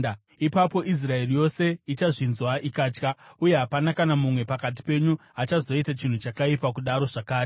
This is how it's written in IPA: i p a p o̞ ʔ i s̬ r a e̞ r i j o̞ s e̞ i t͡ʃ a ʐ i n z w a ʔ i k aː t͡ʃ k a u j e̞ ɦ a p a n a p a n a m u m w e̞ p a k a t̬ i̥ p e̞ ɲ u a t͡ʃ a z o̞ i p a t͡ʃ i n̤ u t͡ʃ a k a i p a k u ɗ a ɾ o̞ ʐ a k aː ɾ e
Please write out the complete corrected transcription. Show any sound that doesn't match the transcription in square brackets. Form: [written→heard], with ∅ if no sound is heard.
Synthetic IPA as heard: i p a p o̞ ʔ i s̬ r a e̞ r i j o̞ s e̞ i t͡ʃ a ʐ i n z w a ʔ i k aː t͡ʃ k a u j e̞ ɦ a p a n a [p→k] a n a m u m w e̞ p a k a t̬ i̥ p e̞ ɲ u a t͡ʃ a z o̞ i [p→t] a t͡ʃ i n̤ u t͡ʃ a k a i p a k u ɗ a ɾ o̞ ʐ a k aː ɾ e

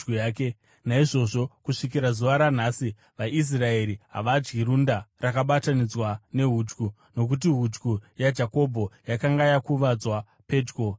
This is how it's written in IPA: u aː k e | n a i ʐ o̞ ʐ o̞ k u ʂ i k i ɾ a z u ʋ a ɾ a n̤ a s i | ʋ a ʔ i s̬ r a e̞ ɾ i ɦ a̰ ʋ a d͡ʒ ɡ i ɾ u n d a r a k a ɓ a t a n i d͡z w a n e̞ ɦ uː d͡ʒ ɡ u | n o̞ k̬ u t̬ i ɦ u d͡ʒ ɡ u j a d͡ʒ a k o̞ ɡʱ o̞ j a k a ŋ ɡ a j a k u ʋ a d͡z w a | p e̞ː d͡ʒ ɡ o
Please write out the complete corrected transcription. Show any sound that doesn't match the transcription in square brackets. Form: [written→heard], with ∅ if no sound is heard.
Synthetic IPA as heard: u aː k e | n a i ʐ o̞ ʐ o̞ k u ʂ i k i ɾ a z u ʋ a ɾ a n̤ a s i | ʋ a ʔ i s̬ r a e̞ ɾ i ɦ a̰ ʋ a d͡ʒ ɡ i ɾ u n d a r a k a ɓ a t a n i d͡z w a n e̞ ɦ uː d͡ʒ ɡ u | n o̞ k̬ u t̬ i ɦ u d͡ʒ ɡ u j a d͡ʒ a k o̞ [ɡʱ→bʱ] o̞ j a k a ŋ ɡ a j a k u ʋ a d͡z w a | p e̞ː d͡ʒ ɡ o

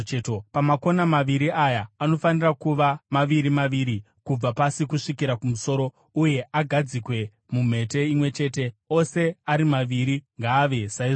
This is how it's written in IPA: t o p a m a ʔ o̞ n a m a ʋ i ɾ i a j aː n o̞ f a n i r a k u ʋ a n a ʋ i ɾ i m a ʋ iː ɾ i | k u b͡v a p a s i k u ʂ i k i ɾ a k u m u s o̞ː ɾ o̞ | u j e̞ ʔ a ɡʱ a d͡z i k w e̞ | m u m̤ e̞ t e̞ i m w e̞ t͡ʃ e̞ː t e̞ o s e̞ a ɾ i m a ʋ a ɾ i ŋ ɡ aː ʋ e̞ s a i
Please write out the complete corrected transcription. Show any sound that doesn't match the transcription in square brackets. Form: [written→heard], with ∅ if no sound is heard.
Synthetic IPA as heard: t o p a m a [ʔ→k] o̞ n a m a ʋ i ɾ i a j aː n o̞ f a n i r a k u ʋ a [n→m] a ʋ i ɾ i m a ʋ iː ɾ i | k u b͡v a p a s i k u ʂ i k i ɾ a k u m u s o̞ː ɾ o̞ | u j e̞ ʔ a ɡʱ a d͡z i k w e̞ | m u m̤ e̞ t e̞ i m w e̞ t͡ʃ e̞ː t e̞ o s e̞ a ɾ i m a ʋ [a→i] ɾ i ŋ ɡ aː ʋ e̞ s a i

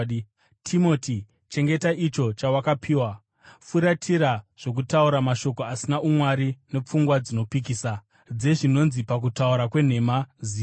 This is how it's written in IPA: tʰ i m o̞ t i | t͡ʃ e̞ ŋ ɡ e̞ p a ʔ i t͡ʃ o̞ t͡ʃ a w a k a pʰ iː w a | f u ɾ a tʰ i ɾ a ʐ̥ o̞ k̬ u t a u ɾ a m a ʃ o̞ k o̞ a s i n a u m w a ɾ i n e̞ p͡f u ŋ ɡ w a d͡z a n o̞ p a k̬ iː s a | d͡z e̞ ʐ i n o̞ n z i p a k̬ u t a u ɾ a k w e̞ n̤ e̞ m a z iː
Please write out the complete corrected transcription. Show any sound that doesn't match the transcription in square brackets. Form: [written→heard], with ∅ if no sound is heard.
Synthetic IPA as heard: tʰ i m o̞ t i | t͡ʃ e̞ ŋ ɡ e̞ [p→t] a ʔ i t͡ʃ o̞ t͡ʃ a w a k a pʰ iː w a | f u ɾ a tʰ i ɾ a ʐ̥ o̞ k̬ u t a u ɾ a m a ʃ o̞ k o̞ a s i n a u m w a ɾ i n e̞ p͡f u ŋ ɡ w a d͡z [a→i] n o̞ p [a→i] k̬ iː s a | d͡z e̞ ʐ i n o̞ n z i p a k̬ u t a u ɾ a k w e̞ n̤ e̞ m a z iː

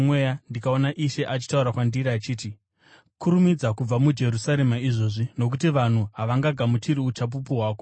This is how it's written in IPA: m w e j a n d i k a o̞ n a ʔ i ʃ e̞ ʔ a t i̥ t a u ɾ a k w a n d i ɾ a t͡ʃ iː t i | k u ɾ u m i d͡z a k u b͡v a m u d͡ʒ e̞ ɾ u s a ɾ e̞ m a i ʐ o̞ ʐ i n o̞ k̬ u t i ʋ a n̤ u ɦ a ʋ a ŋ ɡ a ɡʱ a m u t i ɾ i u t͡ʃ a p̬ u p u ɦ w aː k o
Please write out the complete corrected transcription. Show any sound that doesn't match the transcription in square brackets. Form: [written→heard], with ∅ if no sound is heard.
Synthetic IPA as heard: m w e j a n d i k a o̞ n a ʔ i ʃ e̞ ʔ a [t→t͡ʃ] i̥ t a u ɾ a k w a n d i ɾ a t͡ʃ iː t i | k u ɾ u m i d͡z a k u b͡v a m u d͡ʒ e̞ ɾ u s a ɾ e̞ m a i ʐ o̞ ʐ i n o̞ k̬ u t i ʋ a n̤ u ɦ a ʋ a ŋ ɡ a ɡʱ a m u t i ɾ i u t͡ʃ a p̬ u p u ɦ w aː k o

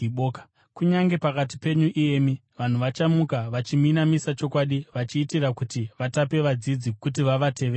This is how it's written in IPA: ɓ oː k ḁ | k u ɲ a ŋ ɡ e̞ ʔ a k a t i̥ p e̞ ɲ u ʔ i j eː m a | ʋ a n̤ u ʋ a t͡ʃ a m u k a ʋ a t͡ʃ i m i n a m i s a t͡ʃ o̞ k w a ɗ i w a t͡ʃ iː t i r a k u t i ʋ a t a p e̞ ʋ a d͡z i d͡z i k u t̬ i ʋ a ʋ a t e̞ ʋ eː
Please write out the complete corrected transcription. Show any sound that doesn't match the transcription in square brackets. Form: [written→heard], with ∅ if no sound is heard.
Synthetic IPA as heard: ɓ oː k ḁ | k u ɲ a ŋ ɡ e̞ [ʔ→p] a k a t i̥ p e̞ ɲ u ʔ i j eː m [a→i] | ʋ a n̤ u ʋ a t͡ʃ a m u k a ʋ a t͡ʃ i m i n a m i s a t͡ʃ o̞ k w a ɗ i [w→ʋ] a t͡ʃ iː t i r a k u t i ʋ a t a p e̞ ʋ a d͡z i d͡z i k u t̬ i ʋ a ʋ a t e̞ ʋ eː

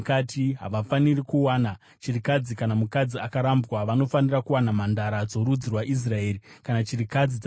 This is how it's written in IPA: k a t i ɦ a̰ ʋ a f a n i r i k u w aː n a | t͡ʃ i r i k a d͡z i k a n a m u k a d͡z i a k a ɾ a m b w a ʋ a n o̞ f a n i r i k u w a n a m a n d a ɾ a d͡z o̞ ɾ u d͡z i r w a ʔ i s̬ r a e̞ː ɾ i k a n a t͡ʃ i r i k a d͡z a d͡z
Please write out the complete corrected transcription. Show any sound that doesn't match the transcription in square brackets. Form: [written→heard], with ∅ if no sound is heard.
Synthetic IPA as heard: k a t i ɦ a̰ ʋ a f a n i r i k u w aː n a | t͡ʃ i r i k a d͡z i k a n a m u k a d͡z i a k a ɾ a m b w a ʋ a n o̞ f a n i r [i→a] k u w a n a m a n d a ɾ a d͡z o̞ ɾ u d͡z i r w a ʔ i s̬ r a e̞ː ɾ i k a n a t͡ʃ i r i k a d͡z [a→i] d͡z

